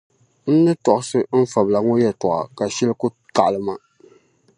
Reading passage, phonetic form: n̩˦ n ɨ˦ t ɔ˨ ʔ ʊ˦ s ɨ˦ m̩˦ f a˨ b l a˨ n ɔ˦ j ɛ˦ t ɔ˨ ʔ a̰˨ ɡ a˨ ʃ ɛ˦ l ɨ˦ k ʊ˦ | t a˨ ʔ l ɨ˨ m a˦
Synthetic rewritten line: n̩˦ n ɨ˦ t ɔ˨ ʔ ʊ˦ s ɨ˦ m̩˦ f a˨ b l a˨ ŋ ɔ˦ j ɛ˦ t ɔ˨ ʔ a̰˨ k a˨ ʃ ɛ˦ l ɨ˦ k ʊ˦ | t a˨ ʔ l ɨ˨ m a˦